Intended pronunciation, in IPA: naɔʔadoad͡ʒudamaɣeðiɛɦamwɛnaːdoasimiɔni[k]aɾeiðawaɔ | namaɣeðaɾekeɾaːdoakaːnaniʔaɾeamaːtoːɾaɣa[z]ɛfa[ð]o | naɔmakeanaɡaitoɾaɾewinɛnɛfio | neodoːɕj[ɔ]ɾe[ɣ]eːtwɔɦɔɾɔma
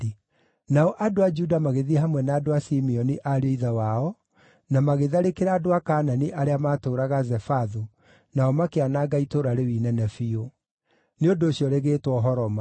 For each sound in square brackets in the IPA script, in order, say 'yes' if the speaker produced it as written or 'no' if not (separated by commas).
no, yes, yes, yes, yes